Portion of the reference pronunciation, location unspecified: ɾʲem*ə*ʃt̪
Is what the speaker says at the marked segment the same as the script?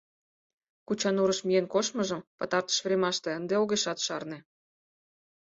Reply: no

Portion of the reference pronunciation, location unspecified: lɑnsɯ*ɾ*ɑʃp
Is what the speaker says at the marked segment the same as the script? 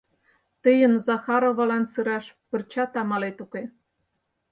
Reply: yes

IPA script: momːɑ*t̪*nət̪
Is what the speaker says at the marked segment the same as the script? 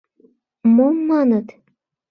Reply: no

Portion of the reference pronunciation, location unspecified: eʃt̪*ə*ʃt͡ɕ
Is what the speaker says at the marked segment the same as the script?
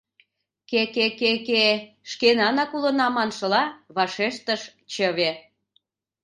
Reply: yes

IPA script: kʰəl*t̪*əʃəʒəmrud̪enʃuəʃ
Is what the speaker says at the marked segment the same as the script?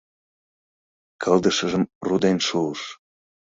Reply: no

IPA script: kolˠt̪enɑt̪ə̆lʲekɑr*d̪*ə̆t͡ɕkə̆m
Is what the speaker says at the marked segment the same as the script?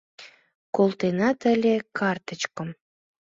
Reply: no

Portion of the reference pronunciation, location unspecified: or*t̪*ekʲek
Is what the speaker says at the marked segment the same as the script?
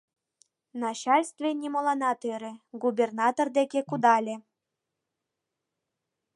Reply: no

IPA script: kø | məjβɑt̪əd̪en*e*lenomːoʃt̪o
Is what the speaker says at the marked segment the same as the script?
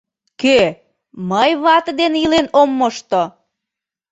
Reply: no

